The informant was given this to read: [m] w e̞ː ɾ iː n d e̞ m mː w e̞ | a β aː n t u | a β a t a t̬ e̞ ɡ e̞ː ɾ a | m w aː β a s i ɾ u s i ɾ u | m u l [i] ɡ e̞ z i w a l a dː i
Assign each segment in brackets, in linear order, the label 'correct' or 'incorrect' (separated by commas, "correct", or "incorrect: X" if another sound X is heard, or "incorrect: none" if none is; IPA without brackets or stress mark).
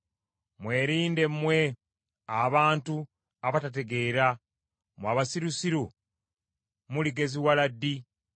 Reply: correct, correct